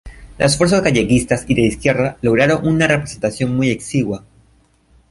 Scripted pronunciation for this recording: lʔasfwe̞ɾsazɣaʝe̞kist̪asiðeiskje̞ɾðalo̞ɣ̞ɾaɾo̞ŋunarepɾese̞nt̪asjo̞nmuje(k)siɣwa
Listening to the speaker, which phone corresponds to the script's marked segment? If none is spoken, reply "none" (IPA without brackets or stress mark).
k